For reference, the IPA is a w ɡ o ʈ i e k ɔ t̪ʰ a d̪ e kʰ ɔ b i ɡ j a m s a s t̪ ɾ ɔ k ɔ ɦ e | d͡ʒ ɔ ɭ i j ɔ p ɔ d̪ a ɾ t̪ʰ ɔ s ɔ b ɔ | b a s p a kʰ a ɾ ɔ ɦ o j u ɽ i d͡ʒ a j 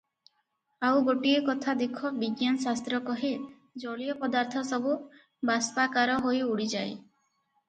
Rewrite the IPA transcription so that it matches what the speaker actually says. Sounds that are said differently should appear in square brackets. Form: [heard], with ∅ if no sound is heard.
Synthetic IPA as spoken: a w ɡ o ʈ i e k ɔ t̪ʰ a d̪ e kʰ ɔ b i ɡ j a [n] s a s t̪ ɾ ɔ k ɔ ɦ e | d͡ʒ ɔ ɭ i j ɔ p ɔ d̪ a ɾ t̪ʰ ɔ s ɔ b [u] | b a s p a [k] a ɾ ɔ ɦ o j u ɽ i d͡ʒ a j